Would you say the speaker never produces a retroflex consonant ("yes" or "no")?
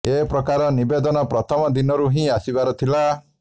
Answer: yes